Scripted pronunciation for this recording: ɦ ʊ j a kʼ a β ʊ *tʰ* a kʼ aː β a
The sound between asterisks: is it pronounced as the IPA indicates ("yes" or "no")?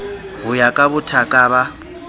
yes